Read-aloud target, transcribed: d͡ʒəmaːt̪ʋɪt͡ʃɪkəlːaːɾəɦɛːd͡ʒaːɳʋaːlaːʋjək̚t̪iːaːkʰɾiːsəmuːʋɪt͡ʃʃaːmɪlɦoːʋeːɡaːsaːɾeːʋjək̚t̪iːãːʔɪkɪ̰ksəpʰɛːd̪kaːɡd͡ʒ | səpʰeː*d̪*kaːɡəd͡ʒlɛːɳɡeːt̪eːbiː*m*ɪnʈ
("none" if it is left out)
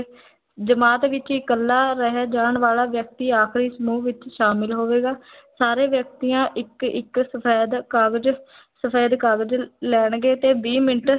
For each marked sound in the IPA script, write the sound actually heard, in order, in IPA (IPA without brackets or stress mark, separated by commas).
d̪, m